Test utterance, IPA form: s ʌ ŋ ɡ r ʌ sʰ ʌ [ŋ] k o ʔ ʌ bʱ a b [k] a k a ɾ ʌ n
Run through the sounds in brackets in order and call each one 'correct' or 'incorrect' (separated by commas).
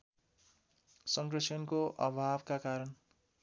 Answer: incorrect, correct